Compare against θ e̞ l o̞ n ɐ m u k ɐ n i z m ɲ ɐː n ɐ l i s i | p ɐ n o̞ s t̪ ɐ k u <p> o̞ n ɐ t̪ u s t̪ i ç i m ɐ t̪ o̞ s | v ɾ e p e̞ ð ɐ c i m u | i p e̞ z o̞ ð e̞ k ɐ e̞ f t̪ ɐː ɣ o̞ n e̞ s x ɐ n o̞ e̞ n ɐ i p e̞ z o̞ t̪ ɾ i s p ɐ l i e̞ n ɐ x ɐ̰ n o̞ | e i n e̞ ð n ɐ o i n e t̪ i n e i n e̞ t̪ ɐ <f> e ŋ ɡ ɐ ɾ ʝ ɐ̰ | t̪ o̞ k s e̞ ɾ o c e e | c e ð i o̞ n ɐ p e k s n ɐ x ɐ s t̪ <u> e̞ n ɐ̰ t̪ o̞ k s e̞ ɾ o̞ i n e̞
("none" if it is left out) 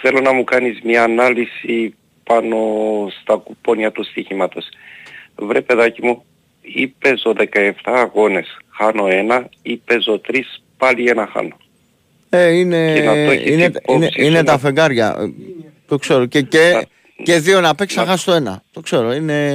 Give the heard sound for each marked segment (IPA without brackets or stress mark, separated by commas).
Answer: p, f, o